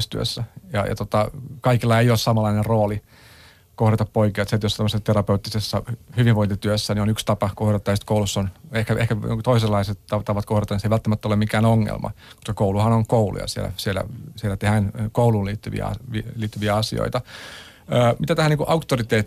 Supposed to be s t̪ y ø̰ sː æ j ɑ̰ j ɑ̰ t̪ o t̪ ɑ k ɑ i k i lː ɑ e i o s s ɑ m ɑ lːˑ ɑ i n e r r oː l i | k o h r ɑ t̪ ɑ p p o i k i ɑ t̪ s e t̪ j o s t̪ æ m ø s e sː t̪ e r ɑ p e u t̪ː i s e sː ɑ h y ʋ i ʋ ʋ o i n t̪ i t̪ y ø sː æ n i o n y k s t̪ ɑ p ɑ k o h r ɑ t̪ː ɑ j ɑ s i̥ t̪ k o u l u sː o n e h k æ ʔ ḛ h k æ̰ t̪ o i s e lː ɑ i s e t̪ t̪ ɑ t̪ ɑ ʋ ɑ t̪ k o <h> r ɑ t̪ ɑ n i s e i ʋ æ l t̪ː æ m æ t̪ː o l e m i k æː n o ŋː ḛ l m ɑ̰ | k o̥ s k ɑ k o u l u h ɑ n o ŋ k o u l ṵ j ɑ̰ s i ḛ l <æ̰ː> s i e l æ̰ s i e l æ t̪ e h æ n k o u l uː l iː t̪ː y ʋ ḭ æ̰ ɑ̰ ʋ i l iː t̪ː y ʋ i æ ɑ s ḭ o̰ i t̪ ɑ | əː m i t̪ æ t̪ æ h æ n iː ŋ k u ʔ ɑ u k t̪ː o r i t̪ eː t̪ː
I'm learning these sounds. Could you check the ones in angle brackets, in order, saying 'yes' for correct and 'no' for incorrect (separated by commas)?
yes, no